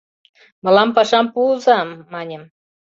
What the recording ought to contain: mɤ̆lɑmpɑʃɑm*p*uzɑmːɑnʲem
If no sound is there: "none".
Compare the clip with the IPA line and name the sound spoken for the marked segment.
p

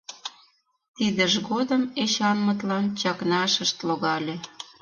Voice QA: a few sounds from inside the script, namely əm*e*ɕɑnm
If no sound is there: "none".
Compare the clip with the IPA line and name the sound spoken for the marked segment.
e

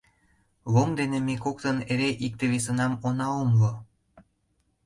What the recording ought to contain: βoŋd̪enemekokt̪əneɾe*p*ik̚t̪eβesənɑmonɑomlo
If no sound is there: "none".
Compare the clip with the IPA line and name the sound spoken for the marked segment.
ʔ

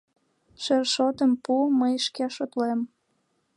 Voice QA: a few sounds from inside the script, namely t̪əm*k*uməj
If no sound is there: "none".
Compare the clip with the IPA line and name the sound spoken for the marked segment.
p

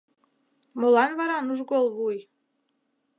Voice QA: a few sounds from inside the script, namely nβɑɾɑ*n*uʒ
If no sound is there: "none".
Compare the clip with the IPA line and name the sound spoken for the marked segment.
n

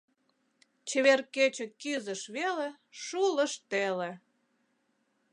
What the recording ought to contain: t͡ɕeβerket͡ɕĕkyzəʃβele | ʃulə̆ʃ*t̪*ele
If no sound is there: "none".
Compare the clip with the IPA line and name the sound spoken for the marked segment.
t̪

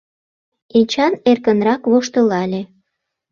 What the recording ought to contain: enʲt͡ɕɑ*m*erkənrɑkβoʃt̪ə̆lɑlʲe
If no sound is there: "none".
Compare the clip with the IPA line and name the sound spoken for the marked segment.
n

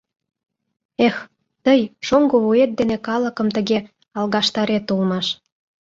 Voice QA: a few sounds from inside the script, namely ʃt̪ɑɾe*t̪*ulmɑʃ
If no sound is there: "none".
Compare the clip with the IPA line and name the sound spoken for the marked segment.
t̪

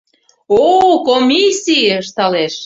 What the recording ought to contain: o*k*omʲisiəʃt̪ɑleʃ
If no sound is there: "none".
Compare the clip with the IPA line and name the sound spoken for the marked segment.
k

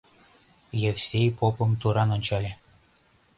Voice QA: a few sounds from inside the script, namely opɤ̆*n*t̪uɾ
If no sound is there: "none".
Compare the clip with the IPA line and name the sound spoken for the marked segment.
m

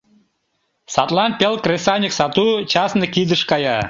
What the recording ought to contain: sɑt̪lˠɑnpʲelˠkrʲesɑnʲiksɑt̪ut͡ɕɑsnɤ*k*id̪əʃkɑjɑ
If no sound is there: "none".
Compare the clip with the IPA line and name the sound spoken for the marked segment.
k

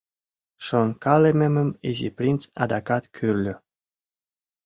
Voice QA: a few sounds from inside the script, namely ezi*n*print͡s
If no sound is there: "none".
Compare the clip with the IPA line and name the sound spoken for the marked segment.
none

